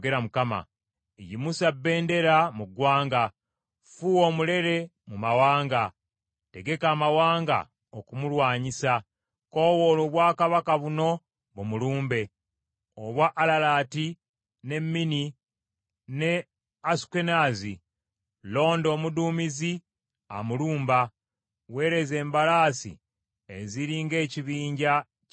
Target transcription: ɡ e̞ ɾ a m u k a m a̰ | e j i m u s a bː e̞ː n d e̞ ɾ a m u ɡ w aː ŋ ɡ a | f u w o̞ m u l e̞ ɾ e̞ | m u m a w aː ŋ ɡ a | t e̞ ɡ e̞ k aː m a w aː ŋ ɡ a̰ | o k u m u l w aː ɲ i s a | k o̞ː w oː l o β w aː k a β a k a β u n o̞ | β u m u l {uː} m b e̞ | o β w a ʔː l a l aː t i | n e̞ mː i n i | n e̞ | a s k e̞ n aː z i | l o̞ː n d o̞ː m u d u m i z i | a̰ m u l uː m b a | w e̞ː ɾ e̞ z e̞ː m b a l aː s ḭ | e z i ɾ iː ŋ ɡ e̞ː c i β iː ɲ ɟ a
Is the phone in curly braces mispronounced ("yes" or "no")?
no